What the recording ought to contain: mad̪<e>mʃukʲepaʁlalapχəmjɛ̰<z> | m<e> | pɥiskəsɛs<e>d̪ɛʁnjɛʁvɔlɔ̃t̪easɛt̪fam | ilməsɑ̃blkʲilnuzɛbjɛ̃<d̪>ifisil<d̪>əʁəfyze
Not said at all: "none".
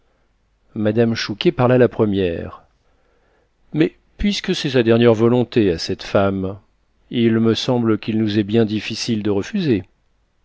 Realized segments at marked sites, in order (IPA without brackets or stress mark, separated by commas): a, ʁ, ɛ, a, d̪, d̪